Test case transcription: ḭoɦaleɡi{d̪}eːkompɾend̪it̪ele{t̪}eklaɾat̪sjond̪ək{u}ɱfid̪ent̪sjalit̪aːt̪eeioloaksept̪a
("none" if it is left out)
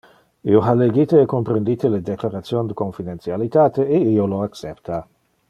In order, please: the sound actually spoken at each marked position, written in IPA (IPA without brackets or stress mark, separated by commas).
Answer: t̪, d̪, o